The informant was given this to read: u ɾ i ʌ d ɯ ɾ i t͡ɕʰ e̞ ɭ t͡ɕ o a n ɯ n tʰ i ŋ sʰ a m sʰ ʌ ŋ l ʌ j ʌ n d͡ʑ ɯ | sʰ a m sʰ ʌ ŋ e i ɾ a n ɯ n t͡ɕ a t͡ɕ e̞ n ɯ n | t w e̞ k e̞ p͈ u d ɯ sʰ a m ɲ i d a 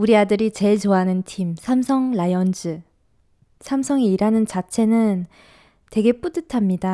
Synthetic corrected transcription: u ɾ i a d ɯ ɾ i t͡ɕ e̞ ɭ t͡ɕ o a n ɯ n tʰ i m sʰ a m sʰ ʌ ŋ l a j ʌ n d͡ʑ ɯ | sʰ a m sʰ ʌ ŋ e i ɾ a n ɯ n t͡ɕ a t͡ɕʰ e̞ n ɯ n | t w e̞ ɡ e̞ p͈ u d ɯ tʰ a m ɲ i d a